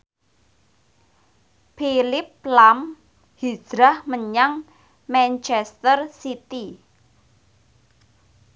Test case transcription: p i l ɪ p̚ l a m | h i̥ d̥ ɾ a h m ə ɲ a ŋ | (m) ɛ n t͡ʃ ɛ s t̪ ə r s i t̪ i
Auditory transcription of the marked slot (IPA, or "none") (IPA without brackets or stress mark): m